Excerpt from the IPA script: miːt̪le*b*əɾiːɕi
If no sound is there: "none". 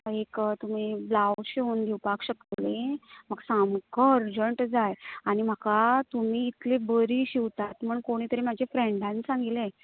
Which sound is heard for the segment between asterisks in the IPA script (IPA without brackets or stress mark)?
b